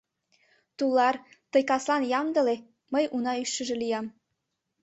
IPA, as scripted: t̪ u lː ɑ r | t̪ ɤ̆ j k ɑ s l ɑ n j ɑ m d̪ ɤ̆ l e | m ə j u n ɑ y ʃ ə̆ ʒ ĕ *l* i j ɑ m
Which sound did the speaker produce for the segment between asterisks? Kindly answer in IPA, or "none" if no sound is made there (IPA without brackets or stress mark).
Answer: l